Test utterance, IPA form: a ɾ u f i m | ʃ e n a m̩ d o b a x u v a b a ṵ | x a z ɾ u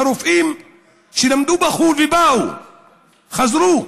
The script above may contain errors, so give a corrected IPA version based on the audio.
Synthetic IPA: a ɾ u f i m | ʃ i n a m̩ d u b a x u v i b a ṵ | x a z ɾ u